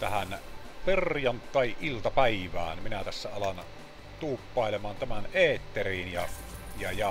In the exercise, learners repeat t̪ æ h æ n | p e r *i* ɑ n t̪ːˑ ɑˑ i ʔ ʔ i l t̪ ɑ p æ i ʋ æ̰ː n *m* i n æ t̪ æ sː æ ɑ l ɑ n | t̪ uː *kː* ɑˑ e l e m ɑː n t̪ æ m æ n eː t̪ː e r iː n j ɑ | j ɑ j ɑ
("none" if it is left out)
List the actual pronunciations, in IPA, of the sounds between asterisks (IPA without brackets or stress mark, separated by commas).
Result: j, m, pː